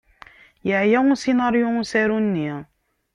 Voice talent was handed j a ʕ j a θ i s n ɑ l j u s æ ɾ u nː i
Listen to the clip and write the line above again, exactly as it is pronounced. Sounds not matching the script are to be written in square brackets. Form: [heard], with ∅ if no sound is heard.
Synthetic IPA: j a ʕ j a [s] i [∅] n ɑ [ɾ] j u s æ ɾ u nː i

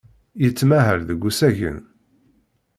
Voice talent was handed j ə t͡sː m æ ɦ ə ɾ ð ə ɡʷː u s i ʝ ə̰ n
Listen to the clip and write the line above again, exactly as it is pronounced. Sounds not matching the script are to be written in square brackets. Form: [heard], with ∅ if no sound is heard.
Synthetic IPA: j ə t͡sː m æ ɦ ə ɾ ð ə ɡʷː u s [æ] ʝ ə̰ n

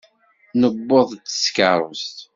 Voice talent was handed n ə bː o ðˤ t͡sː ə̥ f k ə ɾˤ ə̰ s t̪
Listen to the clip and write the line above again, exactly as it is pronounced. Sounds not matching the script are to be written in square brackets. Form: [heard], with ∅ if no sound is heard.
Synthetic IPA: n ə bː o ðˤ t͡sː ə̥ [s] k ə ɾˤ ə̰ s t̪

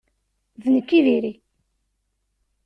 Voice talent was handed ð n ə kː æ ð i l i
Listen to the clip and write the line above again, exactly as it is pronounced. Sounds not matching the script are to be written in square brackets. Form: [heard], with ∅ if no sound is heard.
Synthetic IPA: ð n ə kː [i] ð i [ɾ] i

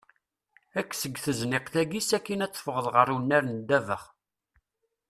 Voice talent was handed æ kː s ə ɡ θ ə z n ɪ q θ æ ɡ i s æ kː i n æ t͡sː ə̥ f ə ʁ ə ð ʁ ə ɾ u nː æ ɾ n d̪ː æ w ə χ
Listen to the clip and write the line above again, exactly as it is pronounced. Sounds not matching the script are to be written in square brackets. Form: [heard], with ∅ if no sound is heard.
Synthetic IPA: æ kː s ə ɡ θ ə z n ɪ q θ æ ɡ i s æ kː i n æ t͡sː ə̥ f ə ʁ ə ð ʁ ə ɾ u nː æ ɾ n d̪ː æ [v] ə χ

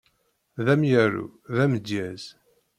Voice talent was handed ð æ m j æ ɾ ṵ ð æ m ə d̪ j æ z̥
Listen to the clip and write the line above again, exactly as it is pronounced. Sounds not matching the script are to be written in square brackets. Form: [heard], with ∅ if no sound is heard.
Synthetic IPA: ð æ m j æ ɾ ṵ ð æ m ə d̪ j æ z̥

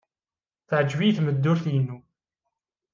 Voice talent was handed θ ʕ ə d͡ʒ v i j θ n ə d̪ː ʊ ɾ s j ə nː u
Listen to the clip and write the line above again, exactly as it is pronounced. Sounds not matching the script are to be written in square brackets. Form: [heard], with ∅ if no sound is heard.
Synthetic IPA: θ ʕ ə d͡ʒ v i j θ [m] ə d̪ː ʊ ɾ [θ] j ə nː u

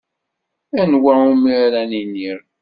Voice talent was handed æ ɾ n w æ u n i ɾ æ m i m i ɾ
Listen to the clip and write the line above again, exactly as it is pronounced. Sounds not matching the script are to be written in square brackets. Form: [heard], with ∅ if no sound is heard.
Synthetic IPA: æ [∅] n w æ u [m] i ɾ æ [n] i [n] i ɾ

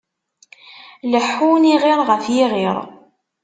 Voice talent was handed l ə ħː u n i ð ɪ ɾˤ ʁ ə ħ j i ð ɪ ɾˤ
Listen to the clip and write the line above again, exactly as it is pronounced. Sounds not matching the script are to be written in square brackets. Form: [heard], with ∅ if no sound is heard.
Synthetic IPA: l ə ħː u n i [ʁ] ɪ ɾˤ ʁ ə [f] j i [ʁ] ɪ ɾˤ

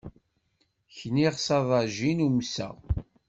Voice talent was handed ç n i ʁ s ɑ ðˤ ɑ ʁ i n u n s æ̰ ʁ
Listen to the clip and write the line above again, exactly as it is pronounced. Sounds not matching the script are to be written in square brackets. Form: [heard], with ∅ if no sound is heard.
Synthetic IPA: ç n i ʁ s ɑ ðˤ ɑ [ʒ] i n u [m] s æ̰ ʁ

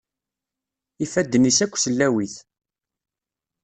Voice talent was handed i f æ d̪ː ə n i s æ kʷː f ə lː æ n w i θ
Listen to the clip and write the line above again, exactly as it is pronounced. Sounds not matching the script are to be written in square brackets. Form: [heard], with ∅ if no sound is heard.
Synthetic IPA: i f æ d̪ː ə n i s æ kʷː [s] ə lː æ [∅] w i θ

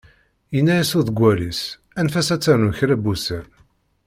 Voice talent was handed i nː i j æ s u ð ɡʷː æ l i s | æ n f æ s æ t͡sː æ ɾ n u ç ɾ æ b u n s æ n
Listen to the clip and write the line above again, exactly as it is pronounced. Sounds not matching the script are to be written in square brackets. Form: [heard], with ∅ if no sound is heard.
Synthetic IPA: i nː [æ] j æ s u ð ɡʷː æ l i s | æ n f æ s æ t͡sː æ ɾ n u ç ɾ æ b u [∅] s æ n

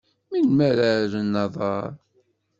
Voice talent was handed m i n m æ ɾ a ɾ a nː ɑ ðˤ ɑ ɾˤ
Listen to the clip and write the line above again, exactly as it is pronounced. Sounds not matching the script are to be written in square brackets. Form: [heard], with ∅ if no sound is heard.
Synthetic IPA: m i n m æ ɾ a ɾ [ə] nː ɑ ðˤ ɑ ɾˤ

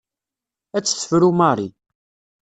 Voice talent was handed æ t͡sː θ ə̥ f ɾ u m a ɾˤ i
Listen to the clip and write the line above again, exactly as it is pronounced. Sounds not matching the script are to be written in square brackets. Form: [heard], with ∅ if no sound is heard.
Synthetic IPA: æ t͡sː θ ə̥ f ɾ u m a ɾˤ i

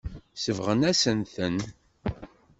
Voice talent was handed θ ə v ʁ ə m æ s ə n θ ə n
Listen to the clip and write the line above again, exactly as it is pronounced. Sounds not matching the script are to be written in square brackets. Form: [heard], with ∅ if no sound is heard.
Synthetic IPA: [s] ə v ʁ ə [n] æ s ə n θ ə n

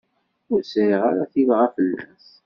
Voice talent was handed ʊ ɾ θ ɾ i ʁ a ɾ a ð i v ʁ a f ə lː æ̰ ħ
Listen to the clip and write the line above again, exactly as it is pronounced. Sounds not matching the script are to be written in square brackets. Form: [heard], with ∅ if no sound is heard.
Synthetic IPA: ʊ ɾ [s] ɾ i ʁ a ɾ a [θ] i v ʁ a f ə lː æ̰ [s]

